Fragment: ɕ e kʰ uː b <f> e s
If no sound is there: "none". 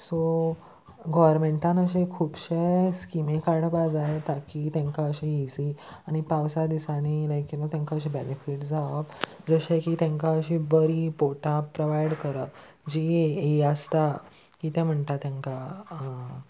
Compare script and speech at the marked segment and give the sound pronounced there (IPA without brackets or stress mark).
ɕ